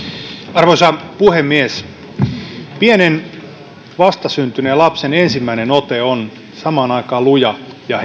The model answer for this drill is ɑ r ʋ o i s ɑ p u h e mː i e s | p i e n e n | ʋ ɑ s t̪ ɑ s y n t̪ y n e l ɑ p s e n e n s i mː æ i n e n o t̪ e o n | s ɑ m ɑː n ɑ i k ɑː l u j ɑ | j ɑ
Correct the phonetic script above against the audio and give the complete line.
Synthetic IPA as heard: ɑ r ʋ o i s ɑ p u h e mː i e s | p i e n e n | ʋ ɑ s t̪ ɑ s y n t̪ y n e l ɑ p s e n e n s i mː æ i n e n o t̪ e o n | s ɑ m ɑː n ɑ i k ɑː l u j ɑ | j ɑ